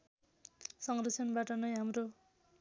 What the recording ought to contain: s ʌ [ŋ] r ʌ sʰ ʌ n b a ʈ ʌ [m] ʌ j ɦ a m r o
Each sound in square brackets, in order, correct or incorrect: correct, incorrect: n

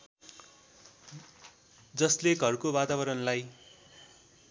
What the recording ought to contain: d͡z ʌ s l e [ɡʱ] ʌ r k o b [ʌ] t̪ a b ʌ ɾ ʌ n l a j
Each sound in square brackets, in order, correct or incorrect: correct, incorrect: a

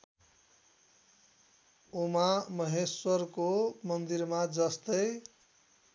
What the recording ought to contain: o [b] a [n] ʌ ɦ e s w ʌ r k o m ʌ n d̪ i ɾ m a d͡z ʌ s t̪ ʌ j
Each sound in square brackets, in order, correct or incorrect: incorrect: m, incorrect: m

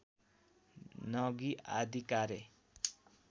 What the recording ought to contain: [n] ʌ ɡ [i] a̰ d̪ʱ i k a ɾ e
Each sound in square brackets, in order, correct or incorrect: correct, correct

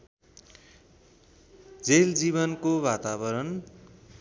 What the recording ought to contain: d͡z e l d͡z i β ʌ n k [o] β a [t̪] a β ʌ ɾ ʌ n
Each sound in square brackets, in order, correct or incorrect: correct, correct

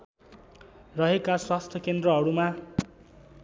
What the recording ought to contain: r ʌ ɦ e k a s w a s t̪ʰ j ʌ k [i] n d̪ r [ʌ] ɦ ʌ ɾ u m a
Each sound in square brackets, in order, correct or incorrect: incorrect: e, correct

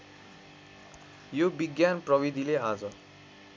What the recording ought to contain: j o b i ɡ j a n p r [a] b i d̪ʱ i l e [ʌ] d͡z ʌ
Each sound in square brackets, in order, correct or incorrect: incorrect: ʌ, incorrect: a

